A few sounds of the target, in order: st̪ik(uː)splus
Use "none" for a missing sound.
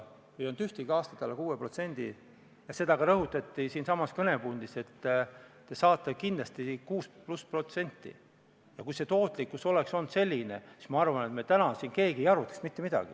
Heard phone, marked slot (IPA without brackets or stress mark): uː